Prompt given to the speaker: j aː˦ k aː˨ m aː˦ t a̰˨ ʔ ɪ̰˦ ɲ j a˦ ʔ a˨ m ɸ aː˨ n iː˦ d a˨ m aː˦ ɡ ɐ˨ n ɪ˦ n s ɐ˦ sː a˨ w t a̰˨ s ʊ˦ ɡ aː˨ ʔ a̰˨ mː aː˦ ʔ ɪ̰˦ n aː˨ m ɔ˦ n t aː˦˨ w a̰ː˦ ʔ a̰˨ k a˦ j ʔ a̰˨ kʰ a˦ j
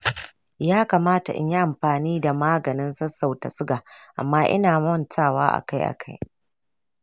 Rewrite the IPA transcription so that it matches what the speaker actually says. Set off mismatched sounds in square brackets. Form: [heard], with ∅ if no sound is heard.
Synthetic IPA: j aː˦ k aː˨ m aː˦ t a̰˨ ʔ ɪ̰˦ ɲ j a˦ ʔ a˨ m ɸ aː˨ n iː˦ d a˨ m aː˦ ɡ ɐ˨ n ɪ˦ n s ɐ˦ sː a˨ w t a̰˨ s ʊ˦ ɡ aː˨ ʔ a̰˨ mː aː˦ ʔ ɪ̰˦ n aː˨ m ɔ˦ n t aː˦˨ w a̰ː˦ ʔ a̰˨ k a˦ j ʔ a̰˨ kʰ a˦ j